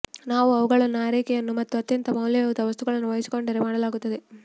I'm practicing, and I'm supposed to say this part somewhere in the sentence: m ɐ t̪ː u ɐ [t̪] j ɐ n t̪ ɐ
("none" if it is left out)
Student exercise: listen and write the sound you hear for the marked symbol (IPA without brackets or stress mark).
t̪